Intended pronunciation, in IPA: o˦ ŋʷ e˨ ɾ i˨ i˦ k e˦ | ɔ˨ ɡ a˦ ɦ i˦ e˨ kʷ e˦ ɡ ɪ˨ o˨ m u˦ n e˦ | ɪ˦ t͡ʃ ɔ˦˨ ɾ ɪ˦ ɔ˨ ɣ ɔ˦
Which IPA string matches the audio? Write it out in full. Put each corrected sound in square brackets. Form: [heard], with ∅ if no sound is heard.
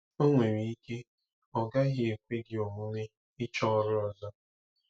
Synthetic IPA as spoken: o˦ ŋʷ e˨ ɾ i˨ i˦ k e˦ | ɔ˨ ɡ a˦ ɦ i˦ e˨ kʷ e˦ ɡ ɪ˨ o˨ m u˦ n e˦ | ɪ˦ t͡ʃ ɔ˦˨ ɾ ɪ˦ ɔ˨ [z] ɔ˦